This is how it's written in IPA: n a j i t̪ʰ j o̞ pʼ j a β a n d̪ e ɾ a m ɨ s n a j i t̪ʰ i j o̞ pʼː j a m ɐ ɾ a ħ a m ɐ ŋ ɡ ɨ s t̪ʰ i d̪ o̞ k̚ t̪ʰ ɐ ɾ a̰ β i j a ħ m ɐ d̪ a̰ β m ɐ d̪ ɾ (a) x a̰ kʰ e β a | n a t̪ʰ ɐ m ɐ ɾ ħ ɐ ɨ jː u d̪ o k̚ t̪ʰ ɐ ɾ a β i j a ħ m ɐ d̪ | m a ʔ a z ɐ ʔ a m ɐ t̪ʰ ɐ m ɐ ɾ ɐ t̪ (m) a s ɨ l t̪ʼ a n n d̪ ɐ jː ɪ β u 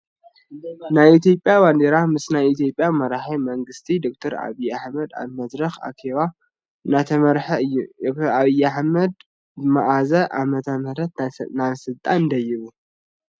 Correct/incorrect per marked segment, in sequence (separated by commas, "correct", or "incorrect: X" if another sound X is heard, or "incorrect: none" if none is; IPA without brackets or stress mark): incorrect: ɐ, incorrect: n